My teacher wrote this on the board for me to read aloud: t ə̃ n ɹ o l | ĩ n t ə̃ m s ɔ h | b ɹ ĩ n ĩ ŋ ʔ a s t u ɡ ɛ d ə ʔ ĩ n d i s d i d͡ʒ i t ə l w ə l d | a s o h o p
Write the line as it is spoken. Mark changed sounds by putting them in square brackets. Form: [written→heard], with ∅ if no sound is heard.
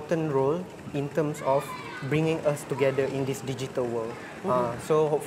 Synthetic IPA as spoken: t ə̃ n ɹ o l | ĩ n t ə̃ m s ɔ [h→f] | b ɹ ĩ [n→ŋ] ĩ ŋ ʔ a s t u ɡ ɛ d ə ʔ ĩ n d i s d i d͡ʒ i t ə l w ə l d | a s o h o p